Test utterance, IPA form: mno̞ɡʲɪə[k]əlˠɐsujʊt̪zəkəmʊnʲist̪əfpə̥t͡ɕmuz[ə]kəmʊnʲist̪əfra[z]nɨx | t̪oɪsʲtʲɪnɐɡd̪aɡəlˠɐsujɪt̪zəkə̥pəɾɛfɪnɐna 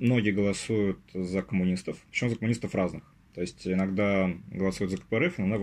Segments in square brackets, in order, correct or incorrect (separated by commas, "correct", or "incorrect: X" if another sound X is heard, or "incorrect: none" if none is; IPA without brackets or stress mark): incorrect: ɡ, correct, correct